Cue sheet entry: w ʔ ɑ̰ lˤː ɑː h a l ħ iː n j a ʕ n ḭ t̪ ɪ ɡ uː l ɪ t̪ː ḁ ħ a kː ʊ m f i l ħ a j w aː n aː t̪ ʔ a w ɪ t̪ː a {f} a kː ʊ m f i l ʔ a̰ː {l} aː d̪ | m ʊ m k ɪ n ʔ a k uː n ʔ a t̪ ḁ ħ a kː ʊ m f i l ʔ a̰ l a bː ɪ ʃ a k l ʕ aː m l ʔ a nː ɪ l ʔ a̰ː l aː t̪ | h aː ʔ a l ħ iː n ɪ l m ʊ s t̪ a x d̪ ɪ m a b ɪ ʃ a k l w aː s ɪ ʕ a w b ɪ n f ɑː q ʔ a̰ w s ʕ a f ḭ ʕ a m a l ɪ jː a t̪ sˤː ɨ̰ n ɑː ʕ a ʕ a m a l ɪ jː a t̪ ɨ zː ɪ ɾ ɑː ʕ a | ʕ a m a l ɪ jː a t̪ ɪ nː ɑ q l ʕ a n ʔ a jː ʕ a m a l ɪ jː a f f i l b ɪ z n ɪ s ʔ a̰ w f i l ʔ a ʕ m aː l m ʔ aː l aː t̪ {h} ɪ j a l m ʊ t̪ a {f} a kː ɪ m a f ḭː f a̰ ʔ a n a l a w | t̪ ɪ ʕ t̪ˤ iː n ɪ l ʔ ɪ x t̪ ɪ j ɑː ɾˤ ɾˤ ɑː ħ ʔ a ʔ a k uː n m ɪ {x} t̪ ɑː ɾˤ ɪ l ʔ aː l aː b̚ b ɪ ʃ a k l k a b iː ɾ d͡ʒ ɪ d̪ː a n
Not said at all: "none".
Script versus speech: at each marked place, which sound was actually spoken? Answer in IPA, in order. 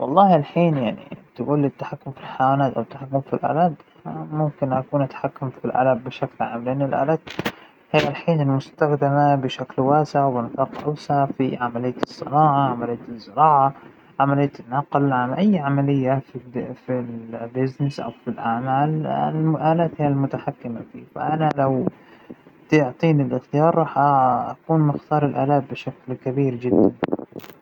ħ, l, h, ħ, x

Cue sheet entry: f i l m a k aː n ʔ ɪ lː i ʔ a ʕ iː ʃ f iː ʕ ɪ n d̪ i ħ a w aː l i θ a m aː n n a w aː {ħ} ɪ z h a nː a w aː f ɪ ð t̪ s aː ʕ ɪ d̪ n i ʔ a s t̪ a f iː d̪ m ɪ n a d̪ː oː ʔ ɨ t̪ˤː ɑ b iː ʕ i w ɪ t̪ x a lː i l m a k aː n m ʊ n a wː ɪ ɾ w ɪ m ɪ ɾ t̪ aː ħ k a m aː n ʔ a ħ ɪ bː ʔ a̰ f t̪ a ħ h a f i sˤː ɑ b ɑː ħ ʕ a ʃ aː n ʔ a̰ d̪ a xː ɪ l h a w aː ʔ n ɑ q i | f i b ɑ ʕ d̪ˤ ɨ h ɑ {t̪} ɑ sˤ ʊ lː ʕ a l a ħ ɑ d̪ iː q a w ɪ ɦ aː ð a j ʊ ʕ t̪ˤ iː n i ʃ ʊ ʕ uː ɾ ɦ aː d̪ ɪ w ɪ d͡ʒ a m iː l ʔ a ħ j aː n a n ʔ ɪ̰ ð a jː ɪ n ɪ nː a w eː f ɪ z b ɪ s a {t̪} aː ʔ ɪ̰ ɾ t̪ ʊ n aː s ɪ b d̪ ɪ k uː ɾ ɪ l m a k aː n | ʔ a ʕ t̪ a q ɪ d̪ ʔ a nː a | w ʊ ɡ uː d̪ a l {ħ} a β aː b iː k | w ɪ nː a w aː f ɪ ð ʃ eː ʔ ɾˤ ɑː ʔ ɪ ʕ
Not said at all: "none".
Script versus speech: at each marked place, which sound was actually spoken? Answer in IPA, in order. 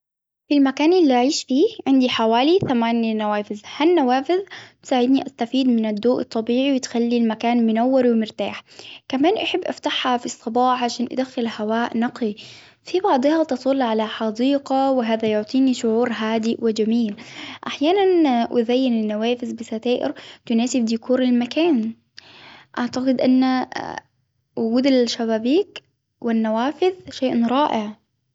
f, t̪, t̪, ʃ

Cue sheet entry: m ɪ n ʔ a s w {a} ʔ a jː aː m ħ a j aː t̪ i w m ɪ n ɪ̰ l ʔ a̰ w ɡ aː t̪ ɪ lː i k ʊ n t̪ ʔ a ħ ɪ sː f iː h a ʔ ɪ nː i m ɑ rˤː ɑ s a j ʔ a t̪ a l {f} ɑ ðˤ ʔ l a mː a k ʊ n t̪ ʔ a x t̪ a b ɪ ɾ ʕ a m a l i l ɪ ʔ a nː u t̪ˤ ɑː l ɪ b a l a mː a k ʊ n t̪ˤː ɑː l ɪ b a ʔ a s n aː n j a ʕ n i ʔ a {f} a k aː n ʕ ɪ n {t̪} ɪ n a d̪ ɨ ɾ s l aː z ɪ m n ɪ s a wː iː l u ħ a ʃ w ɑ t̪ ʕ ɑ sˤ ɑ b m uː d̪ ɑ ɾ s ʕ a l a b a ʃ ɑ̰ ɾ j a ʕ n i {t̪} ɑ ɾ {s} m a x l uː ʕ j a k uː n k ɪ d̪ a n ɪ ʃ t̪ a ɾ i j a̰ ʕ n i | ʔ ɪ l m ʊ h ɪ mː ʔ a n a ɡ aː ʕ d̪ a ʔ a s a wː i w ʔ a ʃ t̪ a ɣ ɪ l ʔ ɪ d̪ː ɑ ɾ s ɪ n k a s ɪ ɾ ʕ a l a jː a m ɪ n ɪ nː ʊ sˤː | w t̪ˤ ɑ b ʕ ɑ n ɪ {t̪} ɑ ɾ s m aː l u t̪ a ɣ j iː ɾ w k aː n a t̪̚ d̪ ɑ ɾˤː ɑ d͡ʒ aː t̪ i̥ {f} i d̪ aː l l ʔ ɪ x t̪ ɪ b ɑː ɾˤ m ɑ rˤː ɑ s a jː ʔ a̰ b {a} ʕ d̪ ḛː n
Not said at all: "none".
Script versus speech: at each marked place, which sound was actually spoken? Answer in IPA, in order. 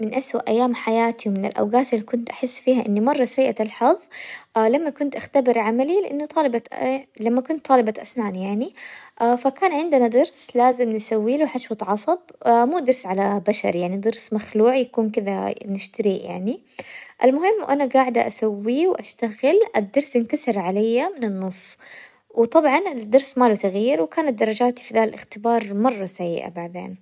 a, ħ, f, d̪, d̪, s, d̪, f, a

